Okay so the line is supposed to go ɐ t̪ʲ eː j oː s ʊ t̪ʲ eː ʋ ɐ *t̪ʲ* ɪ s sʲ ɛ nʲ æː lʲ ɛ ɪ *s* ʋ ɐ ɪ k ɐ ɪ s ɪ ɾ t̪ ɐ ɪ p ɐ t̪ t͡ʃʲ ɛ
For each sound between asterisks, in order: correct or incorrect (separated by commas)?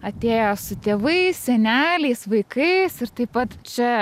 incorrect, correct